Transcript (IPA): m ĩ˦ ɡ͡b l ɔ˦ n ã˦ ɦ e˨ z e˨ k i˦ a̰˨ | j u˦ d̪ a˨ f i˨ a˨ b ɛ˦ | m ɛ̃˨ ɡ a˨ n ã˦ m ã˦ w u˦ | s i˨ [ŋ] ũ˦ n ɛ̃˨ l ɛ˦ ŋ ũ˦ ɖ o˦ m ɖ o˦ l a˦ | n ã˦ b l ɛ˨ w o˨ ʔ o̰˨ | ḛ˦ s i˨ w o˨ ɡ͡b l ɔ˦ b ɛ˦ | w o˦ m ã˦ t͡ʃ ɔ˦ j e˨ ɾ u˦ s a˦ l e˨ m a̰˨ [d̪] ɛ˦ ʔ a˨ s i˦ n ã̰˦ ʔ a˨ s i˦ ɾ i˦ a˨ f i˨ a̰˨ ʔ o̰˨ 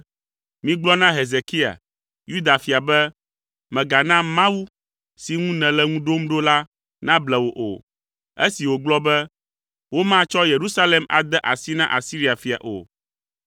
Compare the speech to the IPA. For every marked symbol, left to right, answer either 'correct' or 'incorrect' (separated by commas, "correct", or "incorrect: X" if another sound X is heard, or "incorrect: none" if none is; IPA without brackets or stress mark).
correct, correct